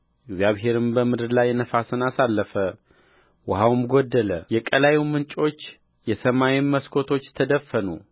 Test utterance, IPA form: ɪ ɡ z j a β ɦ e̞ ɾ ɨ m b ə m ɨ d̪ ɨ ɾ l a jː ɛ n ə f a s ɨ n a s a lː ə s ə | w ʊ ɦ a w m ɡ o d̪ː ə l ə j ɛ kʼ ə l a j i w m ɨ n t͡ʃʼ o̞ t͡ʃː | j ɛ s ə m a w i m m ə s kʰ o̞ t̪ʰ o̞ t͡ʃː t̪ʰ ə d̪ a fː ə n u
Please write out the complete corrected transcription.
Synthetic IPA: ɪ ɡ z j a β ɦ e̞ ɾ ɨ m b ə m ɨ d̪ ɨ ɾ l a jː ɛ n ə f a s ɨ n a s a lː ə f ə | w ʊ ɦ a w m ɡ o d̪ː ə l ə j ɛ kʼ ə l a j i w m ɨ n t͡ʃʼ o̞ t͡ʃː | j ɛ s ə m a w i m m ə s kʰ o̞ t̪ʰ o̞ t͡ʃː t̪ʰ ə d̪ ə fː ə n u